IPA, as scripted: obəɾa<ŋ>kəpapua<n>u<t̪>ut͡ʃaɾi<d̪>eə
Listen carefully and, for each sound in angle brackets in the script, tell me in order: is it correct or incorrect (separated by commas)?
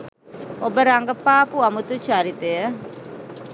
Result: correct, incorrect, correct, incorrect